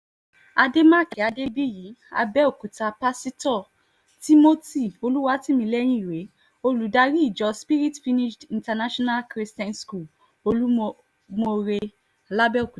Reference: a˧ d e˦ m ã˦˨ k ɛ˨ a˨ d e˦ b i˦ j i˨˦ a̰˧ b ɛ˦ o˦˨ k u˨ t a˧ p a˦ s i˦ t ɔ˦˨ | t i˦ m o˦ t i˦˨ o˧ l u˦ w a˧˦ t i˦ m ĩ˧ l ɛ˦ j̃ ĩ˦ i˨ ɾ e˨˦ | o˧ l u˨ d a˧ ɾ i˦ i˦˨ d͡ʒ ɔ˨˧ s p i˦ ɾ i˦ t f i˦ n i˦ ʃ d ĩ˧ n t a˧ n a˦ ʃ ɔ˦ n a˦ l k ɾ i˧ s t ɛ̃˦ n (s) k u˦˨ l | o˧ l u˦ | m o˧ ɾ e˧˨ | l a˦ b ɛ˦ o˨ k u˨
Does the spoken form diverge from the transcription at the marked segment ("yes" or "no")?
no